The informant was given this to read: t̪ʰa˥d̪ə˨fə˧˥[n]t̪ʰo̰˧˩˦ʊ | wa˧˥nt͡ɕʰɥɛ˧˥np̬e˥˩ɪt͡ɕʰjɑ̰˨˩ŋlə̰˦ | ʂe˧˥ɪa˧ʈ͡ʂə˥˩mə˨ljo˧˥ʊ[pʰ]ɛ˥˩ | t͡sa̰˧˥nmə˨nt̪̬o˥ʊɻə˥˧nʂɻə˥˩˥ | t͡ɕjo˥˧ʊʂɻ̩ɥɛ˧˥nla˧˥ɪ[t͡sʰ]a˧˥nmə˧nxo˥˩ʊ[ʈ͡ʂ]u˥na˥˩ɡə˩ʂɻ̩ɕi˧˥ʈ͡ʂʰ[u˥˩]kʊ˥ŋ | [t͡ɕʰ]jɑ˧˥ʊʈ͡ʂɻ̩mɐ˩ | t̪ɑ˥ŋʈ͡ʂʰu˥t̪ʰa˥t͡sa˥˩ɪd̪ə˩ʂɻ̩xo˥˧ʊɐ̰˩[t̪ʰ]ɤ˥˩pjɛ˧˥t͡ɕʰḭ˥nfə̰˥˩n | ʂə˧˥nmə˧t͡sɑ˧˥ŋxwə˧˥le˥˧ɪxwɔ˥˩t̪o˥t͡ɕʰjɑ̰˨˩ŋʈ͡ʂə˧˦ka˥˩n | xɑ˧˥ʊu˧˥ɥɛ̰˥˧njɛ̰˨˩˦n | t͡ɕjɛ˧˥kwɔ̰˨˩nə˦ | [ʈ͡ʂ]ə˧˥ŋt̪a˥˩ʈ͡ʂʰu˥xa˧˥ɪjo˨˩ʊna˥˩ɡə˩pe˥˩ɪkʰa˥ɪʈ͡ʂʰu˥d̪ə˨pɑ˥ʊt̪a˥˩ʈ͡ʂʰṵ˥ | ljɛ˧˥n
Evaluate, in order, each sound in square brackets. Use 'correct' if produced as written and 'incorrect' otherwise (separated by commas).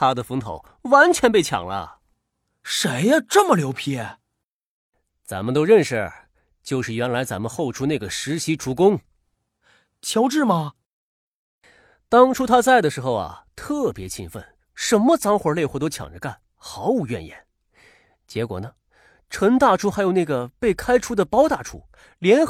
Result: incorrect, correct, incorrect, incorrect, incorrect, correct, correct, incorrect